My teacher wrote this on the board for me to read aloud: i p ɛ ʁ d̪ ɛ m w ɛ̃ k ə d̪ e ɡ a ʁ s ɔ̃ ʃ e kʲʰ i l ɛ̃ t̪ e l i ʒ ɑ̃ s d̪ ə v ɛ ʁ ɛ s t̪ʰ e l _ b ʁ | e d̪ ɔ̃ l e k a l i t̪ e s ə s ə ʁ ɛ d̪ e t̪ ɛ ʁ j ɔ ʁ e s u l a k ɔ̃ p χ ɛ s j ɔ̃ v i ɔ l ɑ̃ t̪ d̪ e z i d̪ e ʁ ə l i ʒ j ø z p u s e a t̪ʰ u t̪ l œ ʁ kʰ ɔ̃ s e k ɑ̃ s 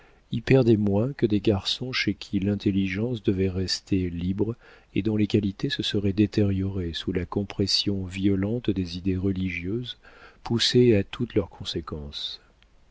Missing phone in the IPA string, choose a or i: i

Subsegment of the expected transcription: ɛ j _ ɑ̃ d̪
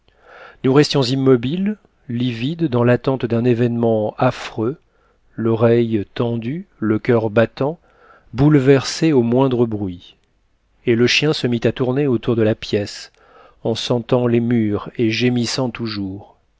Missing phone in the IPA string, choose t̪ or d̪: t̪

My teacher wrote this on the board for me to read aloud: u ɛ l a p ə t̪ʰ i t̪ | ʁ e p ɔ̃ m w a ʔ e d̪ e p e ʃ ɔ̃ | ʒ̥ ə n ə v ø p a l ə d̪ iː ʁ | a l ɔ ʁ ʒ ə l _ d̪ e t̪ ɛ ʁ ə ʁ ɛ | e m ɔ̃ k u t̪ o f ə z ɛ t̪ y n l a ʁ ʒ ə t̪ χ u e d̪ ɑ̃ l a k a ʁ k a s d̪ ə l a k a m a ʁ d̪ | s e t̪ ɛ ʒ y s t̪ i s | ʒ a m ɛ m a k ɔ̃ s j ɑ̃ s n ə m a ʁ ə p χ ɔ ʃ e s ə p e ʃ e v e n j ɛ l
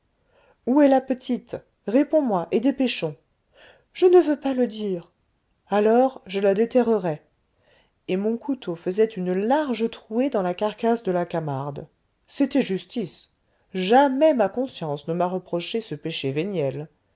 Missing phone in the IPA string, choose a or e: a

